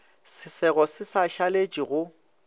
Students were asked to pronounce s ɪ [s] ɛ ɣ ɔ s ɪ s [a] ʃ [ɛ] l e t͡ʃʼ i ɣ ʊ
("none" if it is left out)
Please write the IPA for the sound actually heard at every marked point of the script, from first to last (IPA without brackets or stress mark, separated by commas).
s, a, a